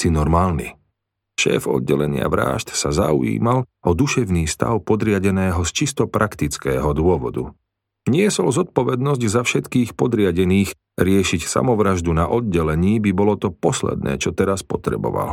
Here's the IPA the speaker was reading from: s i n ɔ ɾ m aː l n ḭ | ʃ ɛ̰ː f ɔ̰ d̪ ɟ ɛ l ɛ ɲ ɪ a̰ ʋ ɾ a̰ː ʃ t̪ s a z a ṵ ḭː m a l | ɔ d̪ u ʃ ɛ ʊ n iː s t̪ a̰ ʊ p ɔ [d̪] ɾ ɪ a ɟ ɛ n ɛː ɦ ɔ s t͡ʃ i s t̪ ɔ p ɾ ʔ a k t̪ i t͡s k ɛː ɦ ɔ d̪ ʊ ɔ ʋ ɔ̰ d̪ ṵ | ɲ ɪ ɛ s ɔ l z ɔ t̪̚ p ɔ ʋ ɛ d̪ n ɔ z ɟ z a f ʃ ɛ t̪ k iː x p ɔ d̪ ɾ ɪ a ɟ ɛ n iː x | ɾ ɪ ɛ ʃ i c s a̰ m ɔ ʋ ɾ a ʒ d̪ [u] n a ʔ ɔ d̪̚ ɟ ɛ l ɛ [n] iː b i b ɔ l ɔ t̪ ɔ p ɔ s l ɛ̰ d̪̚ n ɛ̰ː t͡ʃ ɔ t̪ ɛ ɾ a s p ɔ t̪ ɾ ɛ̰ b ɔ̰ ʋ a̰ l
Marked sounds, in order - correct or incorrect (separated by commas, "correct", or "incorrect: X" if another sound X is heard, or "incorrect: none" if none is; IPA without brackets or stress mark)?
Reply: correct, correct, incorrect: ɲ